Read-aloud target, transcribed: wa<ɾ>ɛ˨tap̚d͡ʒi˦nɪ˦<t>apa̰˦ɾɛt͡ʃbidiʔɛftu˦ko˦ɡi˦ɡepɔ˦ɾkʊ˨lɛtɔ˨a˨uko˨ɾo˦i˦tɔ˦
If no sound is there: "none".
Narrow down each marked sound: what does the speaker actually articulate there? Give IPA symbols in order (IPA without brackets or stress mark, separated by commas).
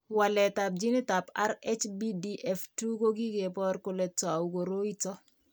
l, t